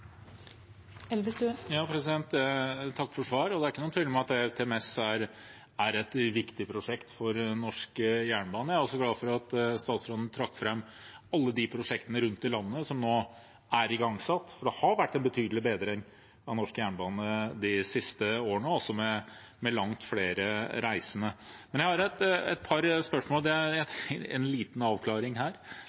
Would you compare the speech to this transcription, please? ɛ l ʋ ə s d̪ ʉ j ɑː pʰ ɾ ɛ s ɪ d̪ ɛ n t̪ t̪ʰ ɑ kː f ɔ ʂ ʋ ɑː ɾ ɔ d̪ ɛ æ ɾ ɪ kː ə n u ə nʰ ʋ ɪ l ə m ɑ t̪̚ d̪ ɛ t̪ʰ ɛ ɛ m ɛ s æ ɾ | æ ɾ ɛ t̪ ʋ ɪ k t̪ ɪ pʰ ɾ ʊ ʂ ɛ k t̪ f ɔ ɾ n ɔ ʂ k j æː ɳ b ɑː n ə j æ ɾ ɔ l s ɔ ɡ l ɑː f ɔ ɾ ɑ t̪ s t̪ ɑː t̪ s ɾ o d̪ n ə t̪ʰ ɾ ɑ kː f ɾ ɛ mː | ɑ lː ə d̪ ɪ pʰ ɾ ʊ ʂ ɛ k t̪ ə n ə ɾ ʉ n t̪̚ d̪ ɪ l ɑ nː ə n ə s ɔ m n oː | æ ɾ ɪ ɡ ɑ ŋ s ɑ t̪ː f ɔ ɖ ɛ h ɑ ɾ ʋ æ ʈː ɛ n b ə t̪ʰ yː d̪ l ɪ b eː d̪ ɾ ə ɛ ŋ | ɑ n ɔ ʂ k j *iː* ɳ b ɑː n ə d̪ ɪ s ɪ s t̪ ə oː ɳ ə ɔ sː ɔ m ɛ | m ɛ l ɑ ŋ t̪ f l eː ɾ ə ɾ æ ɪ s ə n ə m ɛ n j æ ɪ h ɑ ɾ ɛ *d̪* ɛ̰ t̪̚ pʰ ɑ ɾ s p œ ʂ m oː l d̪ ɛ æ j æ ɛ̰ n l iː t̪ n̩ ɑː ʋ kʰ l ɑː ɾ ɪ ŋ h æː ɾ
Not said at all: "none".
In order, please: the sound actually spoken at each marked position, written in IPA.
æː, t̪

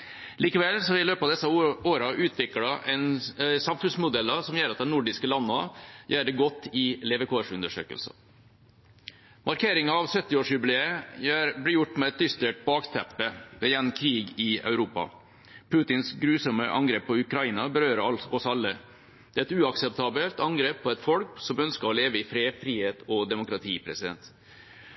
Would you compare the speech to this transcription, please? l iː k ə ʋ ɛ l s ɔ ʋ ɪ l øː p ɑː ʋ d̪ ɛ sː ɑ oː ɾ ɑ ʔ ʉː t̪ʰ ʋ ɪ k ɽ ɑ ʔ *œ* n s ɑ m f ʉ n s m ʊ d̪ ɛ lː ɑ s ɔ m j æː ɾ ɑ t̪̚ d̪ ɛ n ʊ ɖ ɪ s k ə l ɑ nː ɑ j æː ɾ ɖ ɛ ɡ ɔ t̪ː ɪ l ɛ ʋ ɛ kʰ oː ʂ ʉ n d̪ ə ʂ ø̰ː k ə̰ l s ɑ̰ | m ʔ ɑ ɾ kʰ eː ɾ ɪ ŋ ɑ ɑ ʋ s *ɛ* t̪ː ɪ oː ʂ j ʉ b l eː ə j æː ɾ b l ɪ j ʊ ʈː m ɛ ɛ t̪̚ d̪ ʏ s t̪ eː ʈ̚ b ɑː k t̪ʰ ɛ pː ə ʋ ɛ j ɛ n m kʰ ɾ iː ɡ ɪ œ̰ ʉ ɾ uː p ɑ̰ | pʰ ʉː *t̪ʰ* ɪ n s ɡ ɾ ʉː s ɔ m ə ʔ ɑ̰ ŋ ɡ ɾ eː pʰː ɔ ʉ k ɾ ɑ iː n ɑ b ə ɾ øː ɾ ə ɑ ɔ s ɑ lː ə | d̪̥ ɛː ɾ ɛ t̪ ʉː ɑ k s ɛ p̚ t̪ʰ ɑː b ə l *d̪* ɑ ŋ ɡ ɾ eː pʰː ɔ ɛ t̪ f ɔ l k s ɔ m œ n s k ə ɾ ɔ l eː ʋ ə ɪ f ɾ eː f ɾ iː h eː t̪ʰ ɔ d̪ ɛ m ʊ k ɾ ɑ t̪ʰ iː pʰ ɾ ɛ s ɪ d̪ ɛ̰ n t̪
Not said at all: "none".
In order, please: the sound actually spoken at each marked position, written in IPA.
ɛ, œ, t̪, t̪

